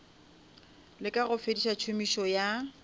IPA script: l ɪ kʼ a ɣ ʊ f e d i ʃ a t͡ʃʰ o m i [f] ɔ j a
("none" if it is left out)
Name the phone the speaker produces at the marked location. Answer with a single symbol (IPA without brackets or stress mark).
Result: ʃ